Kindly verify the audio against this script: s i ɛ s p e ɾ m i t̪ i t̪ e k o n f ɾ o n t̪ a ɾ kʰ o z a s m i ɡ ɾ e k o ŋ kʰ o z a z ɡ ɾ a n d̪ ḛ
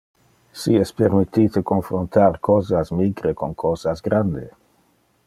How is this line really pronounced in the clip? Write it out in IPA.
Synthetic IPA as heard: s i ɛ s p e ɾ m i t̪ i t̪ e k o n f ɾ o n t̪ a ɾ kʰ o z a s m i ɡ ɾ e k o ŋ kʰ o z a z ɡ ɾ a n d̪ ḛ